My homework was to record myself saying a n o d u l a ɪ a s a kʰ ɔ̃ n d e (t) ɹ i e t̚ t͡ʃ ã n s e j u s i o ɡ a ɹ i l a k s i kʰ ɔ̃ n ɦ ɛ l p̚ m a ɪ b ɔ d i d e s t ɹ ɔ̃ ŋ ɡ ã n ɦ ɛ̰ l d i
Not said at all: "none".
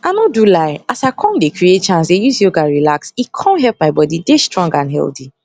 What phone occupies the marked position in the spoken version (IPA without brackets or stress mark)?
k